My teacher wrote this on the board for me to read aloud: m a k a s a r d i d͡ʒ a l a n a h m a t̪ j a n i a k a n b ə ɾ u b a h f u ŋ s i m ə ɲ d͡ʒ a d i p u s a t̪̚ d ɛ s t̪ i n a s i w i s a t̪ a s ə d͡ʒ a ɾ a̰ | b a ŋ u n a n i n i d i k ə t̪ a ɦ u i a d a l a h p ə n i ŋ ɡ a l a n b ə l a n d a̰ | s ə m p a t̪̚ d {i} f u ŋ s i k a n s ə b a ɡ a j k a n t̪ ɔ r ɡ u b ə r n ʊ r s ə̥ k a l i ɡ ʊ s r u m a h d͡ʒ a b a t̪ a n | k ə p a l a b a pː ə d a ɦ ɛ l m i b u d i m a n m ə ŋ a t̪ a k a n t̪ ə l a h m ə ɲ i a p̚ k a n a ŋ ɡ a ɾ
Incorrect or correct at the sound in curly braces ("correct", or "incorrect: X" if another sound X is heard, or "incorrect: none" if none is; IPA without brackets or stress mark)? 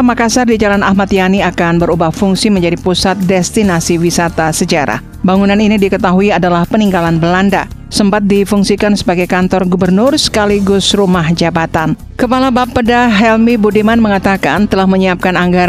correct